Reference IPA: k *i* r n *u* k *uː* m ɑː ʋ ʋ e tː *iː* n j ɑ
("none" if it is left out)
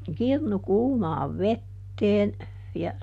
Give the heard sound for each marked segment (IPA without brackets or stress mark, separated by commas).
i, u, uː, eː